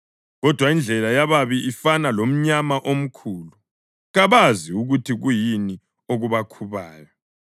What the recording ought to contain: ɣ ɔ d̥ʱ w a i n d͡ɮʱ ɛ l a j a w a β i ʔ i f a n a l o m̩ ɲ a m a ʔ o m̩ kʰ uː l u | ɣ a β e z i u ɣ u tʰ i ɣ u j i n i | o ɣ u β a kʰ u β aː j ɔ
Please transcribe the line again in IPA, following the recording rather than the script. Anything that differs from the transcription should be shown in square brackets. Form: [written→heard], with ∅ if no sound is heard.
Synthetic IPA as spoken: ɣ ɔ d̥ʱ w a i n d͡ɮʱ ɛ l a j a [w→β] a β i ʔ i f a n a l o m̩ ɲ a m a ʔ o m̩ kʰ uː l u | ɣ a β [e→a] z i u ɣ u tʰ i ɣ u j i n i | o ɣ u β a kʰ u β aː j ɔ

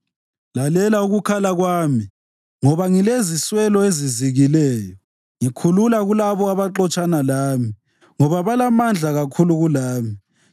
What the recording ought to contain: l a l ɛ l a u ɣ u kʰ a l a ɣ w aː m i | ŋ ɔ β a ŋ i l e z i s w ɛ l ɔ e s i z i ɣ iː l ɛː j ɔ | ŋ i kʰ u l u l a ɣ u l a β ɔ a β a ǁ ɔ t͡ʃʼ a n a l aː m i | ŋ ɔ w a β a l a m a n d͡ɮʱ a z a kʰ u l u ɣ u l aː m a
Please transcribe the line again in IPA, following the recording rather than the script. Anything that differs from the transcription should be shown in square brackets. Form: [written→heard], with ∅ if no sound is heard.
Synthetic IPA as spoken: l a l ɛ l a u ɣ u kʰ a l a ɣ w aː m i | ŋ ɔ β a ŋ i l e z i s w ɛ l ɔ e [s→z] i z i ɣ [iː→i] l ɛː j ɔ | ŋ i kʰ u l u l a ɣ u l a β ɔ a β a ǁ ɔ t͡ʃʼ a n a l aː m i | ŋ ɔ [w→β] a β a l a m a n d͡ɮʱ a [z→ɣ] a kʰ u l u ɣ u l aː m [a→i]

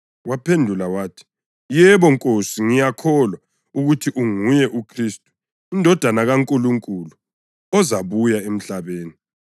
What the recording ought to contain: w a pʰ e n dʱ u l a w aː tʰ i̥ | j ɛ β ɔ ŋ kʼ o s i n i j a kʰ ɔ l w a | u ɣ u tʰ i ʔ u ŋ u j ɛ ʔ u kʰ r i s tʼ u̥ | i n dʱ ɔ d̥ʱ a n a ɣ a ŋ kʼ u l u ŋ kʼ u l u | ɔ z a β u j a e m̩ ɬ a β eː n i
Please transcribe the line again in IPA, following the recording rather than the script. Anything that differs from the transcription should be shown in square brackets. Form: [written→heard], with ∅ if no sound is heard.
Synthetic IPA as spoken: w a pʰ e n dʱ u l a w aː tʰ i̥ | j ɛ β ɔ ŋ kʼ o s i [n→ŋ] i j a kʰ ɔ l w a | u ɣ u tʰ i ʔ u ŋ u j ɛ ʔ u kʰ r i s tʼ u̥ | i n dʱ ɔ d̥ʱ a n a ɣ a ŋ kʼ u l u ŋ kʼ u l u | ɔ z a β u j a e m̩ ɬ a β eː n i

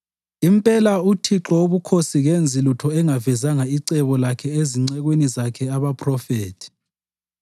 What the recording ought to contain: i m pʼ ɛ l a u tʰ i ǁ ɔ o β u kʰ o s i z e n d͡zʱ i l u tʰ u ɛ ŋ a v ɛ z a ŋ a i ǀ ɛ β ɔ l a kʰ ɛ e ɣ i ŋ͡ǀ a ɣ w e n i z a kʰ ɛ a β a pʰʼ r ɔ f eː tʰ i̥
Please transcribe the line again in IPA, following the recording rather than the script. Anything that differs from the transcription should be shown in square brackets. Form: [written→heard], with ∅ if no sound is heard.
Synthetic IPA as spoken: i m pʼ ɛ l a u tʰ i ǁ ɔ o β u kʰ o s i [z→ɣ] e n d͡zʱ i l u tʰ [u→ɔ] ɛ ŋ a v ɛ z a ŋ a i ǀ ɛ β ɔ l a kʰ ɛ e [ɣ→z] i ŋ͡ǀ [a→ɛ] ɣ w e n i z a kʰ ɛ a β a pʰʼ r ɔ f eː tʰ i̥

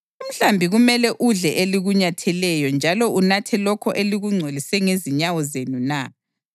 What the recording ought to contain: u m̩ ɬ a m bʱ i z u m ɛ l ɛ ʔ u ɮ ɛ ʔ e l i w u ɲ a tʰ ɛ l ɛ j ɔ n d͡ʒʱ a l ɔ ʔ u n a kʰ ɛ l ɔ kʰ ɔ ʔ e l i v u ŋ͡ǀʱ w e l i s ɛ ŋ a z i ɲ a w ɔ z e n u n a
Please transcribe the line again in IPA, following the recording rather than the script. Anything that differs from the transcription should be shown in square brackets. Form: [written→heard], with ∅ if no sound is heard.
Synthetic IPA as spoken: u m̩ ɬ a m bʱ i [z→ɣ] u m ɛ l ɛ ʔ u ɮ ɛ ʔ e l i [w→ɣ] u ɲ a tʰ ɛ l ɛ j ɔ n d͡ʒʱ a l ɔ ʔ u n a [kʰ→tʰ] ɛ l ɔ kʰ ɔ ʔ e l i [v→ɣ] u ŋ͡ǀʱ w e l i s ɛ ŋ [a→e] z i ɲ a w ɔ z e n u n a

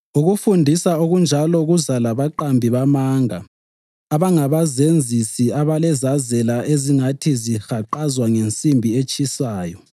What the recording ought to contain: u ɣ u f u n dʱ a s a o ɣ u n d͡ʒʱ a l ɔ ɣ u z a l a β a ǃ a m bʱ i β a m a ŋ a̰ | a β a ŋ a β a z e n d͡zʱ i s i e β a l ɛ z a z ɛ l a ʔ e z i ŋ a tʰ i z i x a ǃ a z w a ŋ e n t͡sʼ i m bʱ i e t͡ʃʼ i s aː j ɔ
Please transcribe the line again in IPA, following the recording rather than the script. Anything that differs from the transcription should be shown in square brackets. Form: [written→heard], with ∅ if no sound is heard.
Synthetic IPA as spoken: u ɣ u f u n dʱ [a→i] s a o ɣ u n d͡ʒʱ a l ɔ ɣ u z a l a β a ǃ a m bʱ i β a m a ŋ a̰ | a β a ŋ a β a z e n d͡zʱ i s i [e→a] β a l ɛ z a z ɛ l a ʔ e z i ŋ a tʰ i z i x a ǃ a z w a ŋ e n t͡sʼ i m bʱ i e t͡ʃʼ i s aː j ɔ

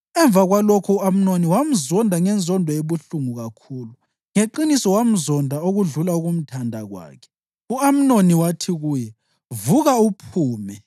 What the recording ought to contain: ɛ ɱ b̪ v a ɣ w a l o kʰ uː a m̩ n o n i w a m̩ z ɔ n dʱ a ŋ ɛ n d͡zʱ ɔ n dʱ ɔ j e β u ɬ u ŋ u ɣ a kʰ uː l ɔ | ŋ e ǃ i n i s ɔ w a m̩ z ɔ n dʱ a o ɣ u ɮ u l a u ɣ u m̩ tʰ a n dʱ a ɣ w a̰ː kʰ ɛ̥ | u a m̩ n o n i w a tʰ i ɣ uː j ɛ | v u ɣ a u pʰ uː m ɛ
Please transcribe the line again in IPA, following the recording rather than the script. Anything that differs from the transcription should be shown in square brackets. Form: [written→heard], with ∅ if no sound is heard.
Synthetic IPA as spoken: ɛ ɱ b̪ v a ɣ w a l o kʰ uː a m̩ n o n i w a m̩ z ɔ n dʱ a ŋ ɛ n d͡zʱ ɔ n dʱ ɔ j e β u ɬ u ŋ u ɣ a kʰ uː l [ɔ→u] | ŋ e ǃ i n i s ɔ w a m̩ z ɔ n dʱ a o ɣ u ɮ u l a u ɣ u m̩ tʰ a n dʱ a ɣ w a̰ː kʰ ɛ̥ | u a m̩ n o n i w a tʰ i ɣ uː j ɛ | v u ɣ a u pʰ uː m ɛ

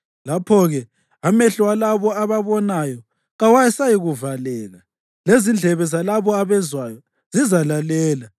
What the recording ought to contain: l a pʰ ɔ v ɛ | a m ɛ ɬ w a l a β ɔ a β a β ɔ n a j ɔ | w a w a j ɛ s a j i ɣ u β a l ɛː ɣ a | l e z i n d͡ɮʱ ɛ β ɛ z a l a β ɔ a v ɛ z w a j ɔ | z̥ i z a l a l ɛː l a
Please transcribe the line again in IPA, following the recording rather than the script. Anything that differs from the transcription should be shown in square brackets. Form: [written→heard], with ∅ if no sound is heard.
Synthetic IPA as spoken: l a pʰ ɔ [v→ɣ] ɛ | a m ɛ ɬ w a l a β ɔ a β a β ɔ n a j ɔ | [w→ɣ] a w a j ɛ s a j i ɣ u [β→v] a l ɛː ɣ a | l e z i n d͡ɮʱ ɛ β ɛ z a l a β ɔ a [v→β] ɛ z w a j ɔ | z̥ i z a l a l ɛː l a

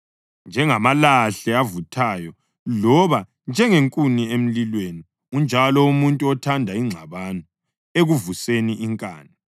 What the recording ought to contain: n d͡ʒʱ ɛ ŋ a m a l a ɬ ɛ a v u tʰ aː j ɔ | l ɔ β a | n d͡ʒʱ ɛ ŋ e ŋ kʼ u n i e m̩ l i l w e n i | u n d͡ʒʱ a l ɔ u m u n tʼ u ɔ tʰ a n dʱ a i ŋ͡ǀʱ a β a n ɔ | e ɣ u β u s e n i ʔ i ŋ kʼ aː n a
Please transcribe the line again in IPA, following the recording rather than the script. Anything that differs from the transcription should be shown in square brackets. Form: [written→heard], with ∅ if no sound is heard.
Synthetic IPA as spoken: n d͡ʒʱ ɛ ŋ a m a l a ɬ ɛ a v u tʰ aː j ɔ | l ɔ β a | n d͡ʒʱ ɛ ŋ e ŋ kʼ u n i e m̩ l i l w e n i | u n d͡ʒʱ a l ɔ u m u n tʼ u ɔ tʰ a n dʱ a i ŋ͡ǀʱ a β a n ɔ | e ɣ u [β→v] u s e n i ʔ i ŋ kʼ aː n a

